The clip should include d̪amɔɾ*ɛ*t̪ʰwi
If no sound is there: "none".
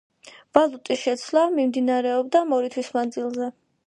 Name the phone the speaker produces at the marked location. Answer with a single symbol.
i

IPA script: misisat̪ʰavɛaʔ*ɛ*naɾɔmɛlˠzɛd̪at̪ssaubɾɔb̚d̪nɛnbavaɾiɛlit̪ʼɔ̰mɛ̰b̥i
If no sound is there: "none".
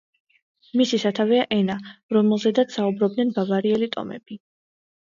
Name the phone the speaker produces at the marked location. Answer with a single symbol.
ɛ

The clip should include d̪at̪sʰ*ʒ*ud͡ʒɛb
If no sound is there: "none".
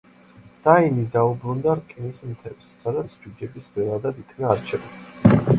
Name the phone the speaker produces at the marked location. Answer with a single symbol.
d͡ʒ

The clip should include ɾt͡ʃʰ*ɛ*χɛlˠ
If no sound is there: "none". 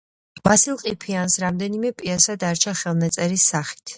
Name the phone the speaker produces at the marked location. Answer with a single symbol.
a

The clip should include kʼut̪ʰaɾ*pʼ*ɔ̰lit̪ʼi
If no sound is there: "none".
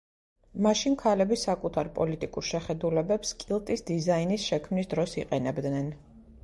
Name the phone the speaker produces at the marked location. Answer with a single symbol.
pʼ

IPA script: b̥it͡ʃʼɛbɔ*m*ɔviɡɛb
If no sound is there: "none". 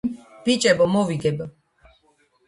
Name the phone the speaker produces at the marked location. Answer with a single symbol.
m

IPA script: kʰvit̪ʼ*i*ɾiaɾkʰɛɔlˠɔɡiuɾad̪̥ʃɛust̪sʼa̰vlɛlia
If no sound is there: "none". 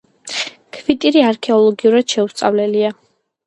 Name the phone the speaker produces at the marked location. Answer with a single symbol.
i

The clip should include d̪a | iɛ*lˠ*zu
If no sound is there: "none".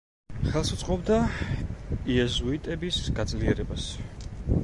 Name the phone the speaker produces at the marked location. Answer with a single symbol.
none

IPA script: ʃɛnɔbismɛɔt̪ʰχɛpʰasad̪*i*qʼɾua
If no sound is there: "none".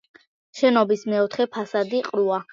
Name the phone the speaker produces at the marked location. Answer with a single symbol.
i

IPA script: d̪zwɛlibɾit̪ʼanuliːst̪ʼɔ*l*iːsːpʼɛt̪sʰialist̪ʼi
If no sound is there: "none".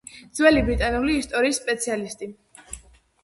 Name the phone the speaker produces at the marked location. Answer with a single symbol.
ɾ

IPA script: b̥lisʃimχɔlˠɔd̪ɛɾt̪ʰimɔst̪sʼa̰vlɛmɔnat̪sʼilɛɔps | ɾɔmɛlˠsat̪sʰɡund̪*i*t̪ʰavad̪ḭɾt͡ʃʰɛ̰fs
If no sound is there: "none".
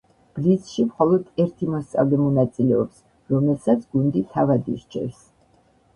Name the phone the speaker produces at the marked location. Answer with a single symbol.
i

